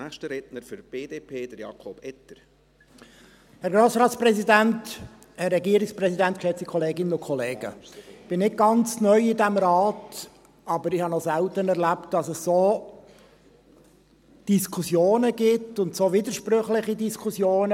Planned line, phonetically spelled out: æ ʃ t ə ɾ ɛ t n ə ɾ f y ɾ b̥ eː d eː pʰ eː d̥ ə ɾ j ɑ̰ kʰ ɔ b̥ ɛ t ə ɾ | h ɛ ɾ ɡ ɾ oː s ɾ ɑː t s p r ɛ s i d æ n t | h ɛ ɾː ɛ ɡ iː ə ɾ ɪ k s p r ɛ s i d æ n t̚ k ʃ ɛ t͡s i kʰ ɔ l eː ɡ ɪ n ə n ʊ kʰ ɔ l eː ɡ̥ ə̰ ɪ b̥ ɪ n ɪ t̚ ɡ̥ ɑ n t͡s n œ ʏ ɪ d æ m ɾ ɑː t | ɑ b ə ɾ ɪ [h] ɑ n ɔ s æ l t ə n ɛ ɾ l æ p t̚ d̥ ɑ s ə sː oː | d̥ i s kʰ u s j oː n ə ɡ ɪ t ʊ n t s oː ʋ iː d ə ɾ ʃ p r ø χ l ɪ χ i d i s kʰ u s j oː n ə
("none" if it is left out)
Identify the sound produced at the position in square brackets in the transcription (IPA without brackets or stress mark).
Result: h